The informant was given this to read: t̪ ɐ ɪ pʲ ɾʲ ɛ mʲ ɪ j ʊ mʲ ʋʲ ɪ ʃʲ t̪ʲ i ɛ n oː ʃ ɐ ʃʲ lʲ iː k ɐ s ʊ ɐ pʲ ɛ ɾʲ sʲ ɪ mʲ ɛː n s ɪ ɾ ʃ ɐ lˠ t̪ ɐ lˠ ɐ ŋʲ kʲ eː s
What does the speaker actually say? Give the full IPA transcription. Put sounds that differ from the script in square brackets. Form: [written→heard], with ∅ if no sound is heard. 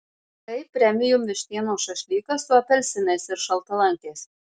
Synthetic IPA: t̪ ɐ ɪ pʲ ɾʲ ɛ mʲ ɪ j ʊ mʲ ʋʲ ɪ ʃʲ t̪ʲ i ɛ n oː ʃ ɐ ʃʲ lʲ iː k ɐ s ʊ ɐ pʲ ɛ [ɾʲ→lʲ] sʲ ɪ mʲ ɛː [n→∅] s ɪ ɾ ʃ ɐ lˠ t̪ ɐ lˠ ɐ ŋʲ kʲ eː s